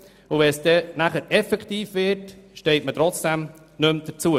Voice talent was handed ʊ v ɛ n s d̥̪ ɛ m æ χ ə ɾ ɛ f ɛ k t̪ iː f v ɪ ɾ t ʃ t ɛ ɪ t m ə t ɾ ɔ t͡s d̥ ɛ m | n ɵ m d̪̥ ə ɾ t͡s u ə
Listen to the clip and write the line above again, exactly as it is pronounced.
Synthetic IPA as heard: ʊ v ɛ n s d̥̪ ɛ n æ χ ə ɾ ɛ f ɛ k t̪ iː f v ɪ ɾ t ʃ t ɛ ɪ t m ə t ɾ ɔ t͡s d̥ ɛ m | n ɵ m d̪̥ ə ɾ t͡s u ə